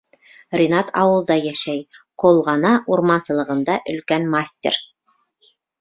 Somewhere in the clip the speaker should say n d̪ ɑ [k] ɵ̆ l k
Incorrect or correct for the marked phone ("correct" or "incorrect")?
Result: incorrect